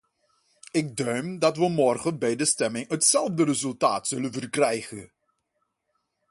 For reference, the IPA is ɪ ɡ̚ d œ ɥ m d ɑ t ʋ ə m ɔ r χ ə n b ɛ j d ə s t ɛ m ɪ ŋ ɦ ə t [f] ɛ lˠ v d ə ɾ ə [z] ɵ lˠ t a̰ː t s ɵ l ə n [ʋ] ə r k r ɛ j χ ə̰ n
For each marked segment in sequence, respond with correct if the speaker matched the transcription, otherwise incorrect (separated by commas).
incorrect, correct, incorrect